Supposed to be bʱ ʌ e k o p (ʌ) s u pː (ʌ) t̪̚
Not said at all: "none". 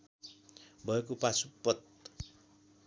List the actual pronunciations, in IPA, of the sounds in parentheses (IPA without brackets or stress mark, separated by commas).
a, ʌ